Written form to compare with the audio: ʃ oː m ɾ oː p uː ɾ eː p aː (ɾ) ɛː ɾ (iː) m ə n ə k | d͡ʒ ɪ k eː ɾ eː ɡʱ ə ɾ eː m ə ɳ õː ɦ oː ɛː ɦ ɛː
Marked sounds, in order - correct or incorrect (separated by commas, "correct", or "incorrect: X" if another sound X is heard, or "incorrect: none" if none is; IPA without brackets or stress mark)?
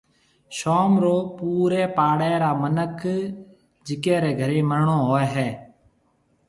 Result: incorrect: ɽ, incorrect: aː